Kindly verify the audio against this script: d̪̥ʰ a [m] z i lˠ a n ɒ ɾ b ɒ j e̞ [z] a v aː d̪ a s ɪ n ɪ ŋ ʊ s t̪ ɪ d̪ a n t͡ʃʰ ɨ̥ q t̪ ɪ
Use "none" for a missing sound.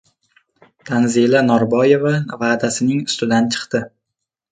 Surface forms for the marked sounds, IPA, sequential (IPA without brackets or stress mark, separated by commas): n, v